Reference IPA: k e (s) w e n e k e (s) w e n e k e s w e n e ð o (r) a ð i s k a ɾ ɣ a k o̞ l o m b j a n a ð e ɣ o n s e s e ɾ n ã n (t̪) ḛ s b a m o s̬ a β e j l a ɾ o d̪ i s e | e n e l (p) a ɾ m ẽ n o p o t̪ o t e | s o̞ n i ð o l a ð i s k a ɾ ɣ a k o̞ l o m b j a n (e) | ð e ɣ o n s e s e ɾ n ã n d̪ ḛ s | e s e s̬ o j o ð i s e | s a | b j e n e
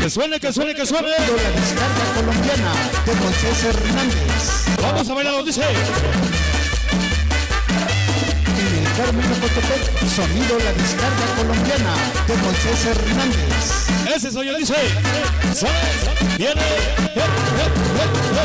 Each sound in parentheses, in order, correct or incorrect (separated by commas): correct, correct, incorrect, incorrect, incorrect, incorrect